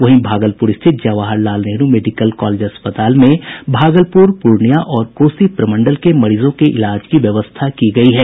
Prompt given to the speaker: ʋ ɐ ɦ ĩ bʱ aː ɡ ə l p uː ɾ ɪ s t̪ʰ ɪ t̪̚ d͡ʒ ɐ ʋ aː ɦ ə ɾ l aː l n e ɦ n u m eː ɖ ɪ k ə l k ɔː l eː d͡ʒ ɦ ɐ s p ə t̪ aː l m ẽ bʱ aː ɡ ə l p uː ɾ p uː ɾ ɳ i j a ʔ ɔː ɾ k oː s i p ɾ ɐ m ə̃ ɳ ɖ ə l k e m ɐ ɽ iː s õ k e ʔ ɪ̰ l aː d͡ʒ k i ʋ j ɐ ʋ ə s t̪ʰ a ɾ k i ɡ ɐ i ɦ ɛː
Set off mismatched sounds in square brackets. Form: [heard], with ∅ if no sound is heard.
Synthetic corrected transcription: ʋ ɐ ɦ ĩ bʱ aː ɡ ə l p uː ɾ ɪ s t̪ʰ ɪ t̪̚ d͡ʒ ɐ ʋ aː ɦ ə ɾ l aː l n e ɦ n u m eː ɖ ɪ k ə l k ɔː l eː d͡ʒ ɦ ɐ s p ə t̪ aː l m ẽ bʱ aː ɡ ə l p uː ɾ p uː ɾ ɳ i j a ʔ ɔː ɾ k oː s i p ɾ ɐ m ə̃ ɳ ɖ ə l k e m ɐ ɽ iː [z] õ k e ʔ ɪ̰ l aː d͡ʒ k i ʋ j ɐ ʋ ə s t̪ʰ a [∅] k i ɡ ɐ i ɦ ɛː